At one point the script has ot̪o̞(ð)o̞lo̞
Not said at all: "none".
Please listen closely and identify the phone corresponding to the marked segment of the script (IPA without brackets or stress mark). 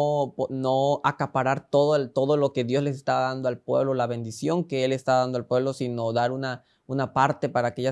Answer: ð